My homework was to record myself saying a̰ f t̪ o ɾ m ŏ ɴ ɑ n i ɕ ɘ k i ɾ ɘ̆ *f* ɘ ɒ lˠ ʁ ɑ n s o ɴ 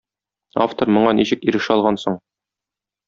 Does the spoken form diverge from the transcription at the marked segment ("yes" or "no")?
yes